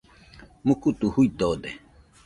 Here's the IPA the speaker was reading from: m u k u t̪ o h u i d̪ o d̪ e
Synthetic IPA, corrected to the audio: m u k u t̪ u h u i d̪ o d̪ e